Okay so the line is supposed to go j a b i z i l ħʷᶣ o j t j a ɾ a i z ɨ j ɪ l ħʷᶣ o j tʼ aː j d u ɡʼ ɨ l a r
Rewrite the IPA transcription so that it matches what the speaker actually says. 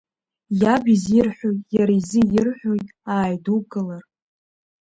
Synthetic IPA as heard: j a b i z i r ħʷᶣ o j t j a ɾ a i z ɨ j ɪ r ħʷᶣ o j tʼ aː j d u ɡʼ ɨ l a r